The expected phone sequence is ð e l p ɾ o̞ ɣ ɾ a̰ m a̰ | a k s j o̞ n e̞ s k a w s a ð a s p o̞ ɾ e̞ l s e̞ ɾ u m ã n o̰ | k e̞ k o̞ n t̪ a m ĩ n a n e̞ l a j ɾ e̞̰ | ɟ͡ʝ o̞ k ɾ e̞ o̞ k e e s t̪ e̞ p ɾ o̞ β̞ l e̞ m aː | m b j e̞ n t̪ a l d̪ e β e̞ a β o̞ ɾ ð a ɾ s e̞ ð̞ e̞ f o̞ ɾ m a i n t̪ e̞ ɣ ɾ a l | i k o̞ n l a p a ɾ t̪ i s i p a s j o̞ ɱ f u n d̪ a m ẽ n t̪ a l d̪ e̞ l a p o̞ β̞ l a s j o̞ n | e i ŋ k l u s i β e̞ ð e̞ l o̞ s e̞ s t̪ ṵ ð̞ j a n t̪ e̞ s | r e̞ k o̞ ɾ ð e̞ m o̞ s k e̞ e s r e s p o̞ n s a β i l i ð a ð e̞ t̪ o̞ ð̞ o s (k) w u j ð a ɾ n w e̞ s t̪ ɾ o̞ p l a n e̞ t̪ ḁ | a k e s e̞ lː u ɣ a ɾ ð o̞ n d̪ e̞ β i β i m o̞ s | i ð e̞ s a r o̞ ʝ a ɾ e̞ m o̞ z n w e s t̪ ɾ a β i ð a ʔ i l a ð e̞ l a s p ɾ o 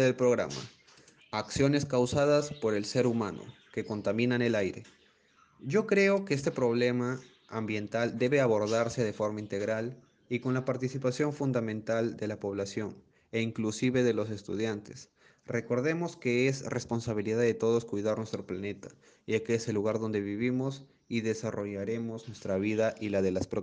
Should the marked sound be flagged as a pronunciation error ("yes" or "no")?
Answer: no